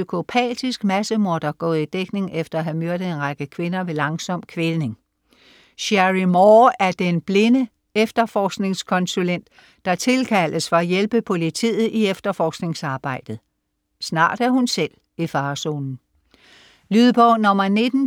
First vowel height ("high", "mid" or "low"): high